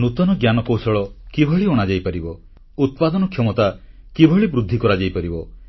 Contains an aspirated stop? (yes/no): yes